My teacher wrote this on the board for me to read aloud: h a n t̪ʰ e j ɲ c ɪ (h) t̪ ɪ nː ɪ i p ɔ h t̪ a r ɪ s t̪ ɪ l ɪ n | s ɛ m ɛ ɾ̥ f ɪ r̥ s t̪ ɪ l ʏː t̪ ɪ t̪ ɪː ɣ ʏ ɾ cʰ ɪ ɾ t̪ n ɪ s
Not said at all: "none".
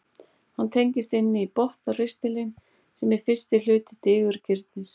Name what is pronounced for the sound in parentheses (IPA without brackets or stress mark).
s